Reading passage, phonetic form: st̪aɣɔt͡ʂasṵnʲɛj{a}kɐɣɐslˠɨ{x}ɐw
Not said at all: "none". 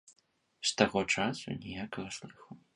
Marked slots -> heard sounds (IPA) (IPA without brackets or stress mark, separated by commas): a, x